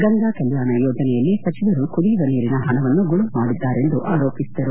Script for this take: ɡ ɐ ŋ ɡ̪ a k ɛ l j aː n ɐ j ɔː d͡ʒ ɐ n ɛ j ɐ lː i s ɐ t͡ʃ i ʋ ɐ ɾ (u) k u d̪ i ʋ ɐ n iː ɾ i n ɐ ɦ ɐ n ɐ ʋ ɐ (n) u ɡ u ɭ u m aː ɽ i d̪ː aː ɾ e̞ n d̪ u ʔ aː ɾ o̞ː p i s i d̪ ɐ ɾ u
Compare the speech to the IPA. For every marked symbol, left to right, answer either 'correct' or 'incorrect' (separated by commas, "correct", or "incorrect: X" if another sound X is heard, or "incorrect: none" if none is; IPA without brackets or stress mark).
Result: correct, incorrect: nː